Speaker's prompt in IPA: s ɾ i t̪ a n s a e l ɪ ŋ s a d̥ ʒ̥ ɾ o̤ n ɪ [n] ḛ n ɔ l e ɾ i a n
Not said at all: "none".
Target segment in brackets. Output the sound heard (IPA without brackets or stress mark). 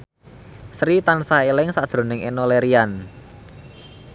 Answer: ŋ